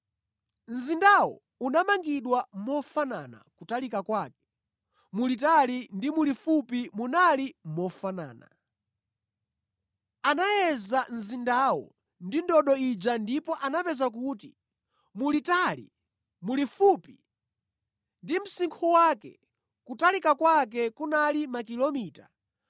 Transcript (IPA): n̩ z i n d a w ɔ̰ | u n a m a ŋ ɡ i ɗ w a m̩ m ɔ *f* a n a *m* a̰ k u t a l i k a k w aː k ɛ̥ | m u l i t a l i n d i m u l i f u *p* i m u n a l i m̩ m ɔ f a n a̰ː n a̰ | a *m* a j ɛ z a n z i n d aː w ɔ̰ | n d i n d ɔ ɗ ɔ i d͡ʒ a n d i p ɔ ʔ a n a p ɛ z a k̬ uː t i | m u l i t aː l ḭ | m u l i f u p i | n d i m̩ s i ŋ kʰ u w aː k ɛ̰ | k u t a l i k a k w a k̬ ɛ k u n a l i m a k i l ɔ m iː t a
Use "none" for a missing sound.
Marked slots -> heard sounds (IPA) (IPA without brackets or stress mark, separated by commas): f, n, p, n